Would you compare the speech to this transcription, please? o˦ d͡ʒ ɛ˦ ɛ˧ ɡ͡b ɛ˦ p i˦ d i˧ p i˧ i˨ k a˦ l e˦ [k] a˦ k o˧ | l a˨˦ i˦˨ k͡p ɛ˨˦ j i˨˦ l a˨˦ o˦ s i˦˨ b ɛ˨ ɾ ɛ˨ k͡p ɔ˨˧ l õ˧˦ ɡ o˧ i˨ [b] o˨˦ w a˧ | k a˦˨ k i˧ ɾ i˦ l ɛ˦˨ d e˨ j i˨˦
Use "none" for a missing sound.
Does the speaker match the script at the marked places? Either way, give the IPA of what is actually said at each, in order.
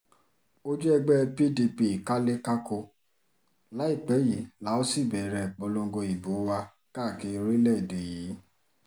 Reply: k, b

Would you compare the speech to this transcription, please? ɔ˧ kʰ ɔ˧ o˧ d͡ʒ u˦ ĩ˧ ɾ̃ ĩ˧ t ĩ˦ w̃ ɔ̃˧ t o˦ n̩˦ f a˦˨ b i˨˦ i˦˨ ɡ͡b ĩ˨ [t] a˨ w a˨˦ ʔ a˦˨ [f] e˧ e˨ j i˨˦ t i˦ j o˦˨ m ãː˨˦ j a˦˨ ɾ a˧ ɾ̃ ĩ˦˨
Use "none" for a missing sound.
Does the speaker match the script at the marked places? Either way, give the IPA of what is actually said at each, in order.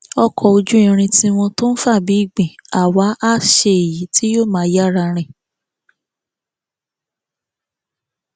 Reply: none, ʃ

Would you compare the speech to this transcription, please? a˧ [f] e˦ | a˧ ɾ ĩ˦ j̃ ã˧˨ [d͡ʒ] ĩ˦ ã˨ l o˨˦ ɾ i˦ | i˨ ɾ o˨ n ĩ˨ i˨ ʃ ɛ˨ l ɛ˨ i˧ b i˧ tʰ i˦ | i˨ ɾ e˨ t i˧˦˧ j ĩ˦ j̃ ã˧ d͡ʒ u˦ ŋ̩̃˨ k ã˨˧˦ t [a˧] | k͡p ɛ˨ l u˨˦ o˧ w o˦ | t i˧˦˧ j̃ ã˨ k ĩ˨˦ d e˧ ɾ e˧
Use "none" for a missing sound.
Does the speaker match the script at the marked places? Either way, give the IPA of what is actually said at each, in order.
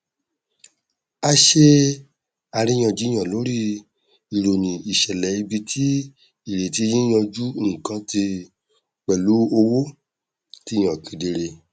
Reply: ʃ, d͡ʒ, i˧

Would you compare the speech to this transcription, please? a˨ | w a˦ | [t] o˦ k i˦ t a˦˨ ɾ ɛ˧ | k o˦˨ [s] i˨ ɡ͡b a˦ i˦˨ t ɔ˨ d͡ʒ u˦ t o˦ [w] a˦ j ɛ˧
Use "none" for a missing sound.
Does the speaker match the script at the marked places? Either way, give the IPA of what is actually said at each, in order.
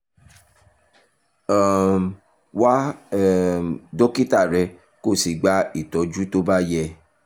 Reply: d, s, b

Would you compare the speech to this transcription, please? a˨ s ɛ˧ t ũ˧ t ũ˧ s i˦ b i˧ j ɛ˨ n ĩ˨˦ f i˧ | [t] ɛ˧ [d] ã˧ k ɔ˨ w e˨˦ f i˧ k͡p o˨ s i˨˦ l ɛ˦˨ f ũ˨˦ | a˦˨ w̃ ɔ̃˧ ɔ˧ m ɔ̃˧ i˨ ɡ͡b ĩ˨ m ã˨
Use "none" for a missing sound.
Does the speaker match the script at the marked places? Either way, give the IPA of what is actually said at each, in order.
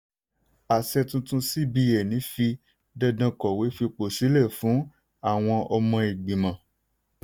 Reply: d, d

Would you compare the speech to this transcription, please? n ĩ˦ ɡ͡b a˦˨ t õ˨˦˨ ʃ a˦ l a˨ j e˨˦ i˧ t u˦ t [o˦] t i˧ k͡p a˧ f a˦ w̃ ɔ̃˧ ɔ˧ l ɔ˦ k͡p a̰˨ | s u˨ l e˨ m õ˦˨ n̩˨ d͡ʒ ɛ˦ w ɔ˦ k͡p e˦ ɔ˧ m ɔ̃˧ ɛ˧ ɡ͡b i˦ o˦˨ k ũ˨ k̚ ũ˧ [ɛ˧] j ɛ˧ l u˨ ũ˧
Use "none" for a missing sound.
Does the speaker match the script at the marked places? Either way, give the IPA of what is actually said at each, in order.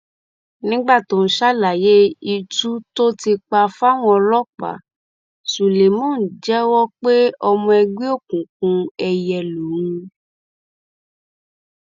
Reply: o˦, ɛ˧

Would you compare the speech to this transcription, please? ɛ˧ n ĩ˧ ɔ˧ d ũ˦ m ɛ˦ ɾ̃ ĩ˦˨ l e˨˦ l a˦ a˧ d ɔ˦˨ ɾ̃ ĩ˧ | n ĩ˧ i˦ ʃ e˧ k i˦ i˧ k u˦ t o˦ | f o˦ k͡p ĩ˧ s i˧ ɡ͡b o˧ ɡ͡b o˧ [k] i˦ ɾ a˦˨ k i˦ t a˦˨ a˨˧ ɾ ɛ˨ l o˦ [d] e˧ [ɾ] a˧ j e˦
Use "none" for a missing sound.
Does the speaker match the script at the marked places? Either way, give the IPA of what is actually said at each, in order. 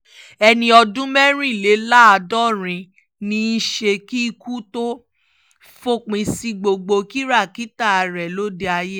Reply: k, d, none

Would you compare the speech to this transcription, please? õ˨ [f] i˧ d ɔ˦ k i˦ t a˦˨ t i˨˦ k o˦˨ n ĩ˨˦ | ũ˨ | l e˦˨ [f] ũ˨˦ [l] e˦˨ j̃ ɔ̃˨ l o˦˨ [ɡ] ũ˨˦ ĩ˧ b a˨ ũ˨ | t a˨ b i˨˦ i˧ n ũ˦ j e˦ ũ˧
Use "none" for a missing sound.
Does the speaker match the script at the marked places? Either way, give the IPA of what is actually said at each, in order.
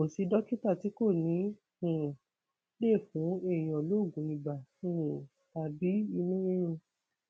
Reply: s, f, none, ɡ

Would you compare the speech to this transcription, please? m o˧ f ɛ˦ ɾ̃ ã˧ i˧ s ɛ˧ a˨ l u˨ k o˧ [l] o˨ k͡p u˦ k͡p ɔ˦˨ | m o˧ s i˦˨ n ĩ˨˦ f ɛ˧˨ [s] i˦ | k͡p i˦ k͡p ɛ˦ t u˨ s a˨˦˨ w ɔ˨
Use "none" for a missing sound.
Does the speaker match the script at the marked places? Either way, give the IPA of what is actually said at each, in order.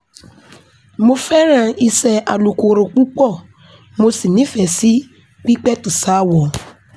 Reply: ɾ, s

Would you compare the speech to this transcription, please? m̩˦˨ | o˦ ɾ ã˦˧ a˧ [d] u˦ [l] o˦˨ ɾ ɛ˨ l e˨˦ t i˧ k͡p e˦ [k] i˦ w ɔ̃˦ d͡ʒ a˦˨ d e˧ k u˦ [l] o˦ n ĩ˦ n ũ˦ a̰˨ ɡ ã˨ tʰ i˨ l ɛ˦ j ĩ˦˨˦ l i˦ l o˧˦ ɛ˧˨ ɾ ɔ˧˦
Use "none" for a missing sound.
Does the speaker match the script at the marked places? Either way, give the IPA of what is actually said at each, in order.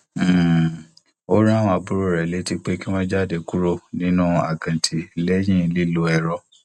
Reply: b, ɾ, k, ɾ

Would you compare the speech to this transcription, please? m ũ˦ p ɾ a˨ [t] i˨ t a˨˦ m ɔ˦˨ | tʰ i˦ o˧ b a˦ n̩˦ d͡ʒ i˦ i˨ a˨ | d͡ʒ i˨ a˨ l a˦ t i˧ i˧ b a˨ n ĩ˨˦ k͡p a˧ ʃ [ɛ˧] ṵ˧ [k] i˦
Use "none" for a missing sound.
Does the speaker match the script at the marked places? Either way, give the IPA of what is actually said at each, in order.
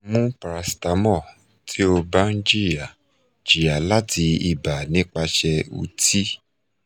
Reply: s, ɛ˧, t

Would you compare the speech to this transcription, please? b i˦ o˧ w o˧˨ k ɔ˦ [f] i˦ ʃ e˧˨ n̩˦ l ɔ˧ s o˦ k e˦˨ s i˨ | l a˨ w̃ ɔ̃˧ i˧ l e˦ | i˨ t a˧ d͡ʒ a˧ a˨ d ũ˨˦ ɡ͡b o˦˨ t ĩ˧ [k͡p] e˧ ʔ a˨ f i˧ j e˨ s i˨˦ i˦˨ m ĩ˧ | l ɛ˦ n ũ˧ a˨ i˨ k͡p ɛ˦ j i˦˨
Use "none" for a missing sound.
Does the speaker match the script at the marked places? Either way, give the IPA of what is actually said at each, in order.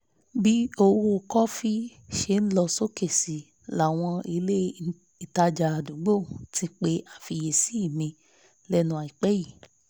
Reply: f, k͡p

